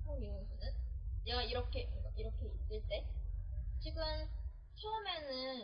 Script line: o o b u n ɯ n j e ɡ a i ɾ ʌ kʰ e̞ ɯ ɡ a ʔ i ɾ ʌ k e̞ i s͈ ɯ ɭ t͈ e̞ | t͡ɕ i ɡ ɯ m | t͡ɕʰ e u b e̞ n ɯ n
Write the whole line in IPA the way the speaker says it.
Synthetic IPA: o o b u n ɯ n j e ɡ a i ɾ ʌ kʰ e̞ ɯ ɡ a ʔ i ɾ ʌ kʰ e̞ i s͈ ɯ ɭ t͈ e̞ | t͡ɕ i ɡ ɯ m | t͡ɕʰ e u m e̞ n ɯ n